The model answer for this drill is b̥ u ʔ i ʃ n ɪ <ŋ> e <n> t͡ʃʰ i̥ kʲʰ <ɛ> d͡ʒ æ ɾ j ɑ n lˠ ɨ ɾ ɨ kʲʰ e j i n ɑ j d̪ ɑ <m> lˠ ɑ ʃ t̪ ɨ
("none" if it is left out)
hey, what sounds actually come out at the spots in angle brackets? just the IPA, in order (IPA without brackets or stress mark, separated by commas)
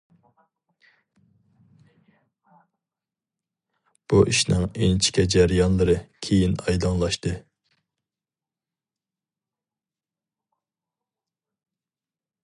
ŋ, n, ɛ, ŋ